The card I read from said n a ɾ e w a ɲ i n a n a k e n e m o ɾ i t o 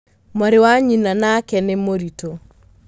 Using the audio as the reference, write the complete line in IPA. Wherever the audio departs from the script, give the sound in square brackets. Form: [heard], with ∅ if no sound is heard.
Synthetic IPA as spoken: [m] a ɾ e w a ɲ i n a n a k [ɛ] n e m o ɾ i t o